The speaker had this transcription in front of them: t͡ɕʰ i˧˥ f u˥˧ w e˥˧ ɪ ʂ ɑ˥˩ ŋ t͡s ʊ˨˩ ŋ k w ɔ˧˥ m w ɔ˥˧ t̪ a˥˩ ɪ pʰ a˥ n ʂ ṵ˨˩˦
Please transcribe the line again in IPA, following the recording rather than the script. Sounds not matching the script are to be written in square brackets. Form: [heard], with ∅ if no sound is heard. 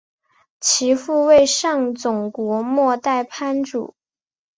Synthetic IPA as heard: t͡ɕʰ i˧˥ f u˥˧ w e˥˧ ɪ ʂ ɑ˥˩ ŋ t͡s ʊ˨˩ ŋ k w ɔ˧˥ m w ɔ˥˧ t̪ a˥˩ ɪ pʰ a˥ n [ʈ͡ʂ] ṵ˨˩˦